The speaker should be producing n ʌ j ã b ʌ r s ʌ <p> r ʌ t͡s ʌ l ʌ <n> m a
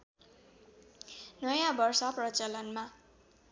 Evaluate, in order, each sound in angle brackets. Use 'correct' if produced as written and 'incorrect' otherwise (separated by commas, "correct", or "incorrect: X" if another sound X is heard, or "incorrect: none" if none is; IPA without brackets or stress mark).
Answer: correct, correct